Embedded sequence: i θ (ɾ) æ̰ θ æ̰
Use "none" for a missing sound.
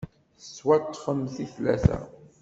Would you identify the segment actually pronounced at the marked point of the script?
l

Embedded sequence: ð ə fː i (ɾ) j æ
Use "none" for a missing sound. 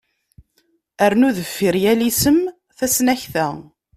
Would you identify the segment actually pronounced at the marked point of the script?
ɾ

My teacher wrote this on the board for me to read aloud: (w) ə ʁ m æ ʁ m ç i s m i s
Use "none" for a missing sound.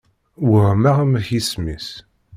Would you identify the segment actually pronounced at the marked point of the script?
w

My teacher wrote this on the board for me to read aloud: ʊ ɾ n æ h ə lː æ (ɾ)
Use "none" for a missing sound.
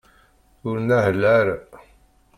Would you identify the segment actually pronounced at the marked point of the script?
ɾ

